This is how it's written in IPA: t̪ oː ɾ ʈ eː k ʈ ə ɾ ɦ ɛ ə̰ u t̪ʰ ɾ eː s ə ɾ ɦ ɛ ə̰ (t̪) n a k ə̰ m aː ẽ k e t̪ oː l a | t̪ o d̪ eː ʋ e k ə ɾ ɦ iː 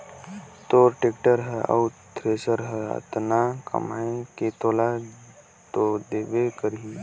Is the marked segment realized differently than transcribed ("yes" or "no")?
no